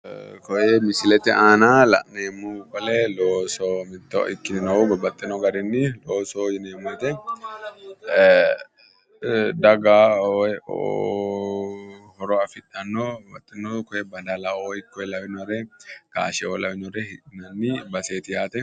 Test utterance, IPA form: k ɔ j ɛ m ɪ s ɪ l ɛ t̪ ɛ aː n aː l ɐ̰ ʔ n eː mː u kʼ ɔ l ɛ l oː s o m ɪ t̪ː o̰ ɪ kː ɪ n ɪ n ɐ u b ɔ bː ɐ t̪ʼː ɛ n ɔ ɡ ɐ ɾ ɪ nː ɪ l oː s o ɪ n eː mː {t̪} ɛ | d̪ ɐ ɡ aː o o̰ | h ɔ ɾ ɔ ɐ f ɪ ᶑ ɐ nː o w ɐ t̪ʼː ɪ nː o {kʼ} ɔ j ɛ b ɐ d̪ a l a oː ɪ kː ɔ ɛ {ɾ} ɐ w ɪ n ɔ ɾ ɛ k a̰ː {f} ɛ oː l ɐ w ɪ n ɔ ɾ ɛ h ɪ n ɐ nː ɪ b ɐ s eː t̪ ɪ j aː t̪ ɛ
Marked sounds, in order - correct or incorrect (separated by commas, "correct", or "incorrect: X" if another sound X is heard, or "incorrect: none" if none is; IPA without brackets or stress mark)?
correct, incorrect: k, incorrect: l, incorrect: ʃ